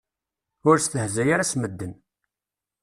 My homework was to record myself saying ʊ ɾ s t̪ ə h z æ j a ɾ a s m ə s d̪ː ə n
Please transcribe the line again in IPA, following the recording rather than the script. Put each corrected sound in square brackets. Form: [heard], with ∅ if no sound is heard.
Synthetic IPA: ʊ ɾ s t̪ ə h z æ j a ɾ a s m ə [∅] d̪ː ə n